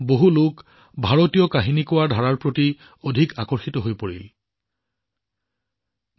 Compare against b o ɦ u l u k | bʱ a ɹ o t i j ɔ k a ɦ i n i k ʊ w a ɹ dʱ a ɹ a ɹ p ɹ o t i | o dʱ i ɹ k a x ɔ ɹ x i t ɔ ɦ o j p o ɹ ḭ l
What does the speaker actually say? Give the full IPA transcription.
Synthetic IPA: b o ɦ u l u k | bʱ a ɹ o t i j ɔ k a ɦ i n i k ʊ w a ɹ dʱ a ɹ a ɹ p ɹ o t i | o dʱ i k a k ɔ ɹ x i t ɔ ɦ o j p o ɹ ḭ l